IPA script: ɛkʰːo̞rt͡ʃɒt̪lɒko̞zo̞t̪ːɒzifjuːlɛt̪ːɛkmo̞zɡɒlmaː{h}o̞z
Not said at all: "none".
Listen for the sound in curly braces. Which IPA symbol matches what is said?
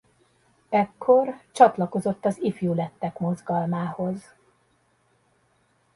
h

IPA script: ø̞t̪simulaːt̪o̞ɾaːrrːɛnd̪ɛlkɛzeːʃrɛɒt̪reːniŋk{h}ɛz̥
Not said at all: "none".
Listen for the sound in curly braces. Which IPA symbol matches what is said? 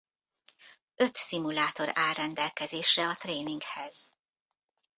h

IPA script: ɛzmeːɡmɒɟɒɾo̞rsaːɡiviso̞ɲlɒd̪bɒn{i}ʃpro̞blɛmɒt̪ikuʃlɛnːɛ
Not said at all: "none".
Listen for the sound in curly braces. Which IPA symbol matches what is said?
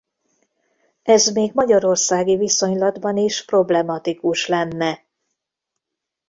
i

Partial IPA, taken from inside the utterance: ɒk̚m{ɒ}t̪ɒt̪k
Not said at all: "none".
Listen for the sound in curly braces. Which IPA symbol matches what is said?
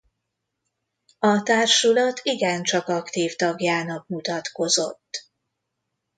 u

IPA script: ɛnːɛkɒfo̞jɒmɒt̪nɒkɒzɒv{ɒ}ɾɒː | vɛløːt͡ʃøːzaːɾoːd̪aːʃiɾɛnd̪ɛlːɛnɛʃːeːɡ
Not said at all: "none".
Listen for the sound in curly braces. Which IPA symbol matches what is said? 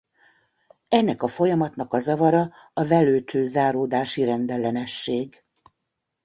ɒ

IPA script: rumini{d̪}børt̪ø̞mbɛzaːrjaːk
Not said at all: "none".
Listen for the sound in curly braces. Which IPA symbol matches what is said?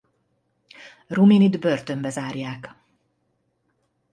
d̪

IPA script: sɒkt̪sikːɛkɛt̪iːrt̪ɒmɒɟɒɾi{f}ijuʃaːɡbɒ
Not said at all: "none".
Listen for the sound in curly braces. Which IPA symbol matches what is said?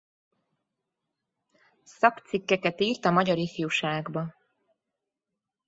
f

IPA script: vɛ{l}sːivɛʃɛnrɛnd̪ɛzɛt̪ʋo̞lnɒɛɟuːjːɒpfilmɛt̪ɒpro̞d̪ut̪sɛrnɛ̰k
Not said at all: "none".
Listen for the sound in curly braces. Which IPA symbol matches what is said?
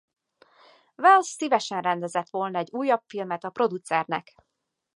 l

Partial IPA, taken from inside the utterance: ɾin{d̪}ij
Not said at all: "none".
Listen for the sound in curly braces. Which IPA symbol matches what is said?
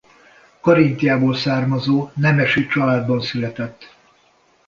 t̪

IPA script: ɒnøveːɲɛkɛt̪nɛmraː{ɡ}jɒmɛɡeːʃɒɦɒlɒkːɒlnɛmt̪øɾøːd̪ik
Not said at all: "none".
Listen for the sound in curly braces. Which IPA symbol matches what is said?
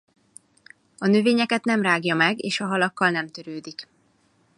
ɡ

